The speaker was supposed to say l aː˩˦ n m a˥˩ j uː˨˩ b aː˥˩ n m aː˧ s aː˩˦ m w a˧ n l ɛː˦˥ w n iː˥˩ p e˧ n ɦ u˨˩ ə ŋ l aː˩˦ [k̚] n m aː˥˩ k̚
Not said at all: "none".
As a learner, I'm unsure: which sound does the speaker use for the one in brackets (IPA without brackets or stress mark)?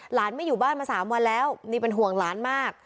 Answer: none